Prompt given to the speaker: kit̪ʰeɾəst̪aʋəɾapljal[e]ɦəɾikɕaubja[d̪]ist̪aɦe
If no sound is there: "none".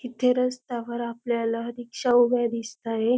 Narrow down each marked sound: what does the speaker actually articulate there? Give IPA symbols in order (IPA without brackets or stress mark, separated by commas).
a, d̪